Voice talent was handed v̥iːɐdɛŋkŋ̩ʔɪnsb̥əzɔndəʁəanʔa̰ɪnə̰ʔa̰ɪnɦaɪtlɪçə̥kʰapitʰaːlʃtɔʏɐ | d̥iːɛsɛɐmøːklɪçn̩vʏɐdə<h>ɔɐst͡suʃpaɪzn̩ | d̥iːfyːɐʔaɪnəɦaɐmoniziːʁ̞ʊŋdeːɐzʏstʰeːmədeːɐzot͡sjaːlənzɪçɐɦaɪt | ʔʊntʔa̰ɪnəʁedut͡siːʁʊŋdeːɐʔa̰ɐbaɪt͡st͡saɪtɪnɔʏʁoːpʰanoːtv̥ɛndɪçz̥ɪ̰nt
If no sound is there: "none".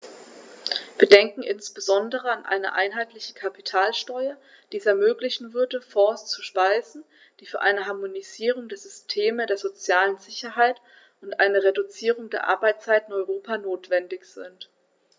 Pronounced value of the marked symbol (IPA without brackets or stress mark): f